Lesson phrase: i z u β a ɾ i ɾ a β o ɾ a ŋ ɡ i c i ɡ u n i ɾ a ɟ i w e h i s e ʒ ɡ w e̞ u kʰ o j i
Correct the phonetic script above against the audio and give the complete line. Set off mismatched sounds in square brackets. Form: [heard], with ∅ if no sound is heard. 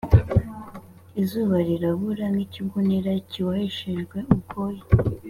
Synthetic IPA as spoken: i z u β a ɾ i ɾ a β [u] ɾ a ŋ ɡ i c i ɡ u n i ɾ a [c] i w [a] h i [ʃ] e ʒ ɡ w e̞ u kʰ o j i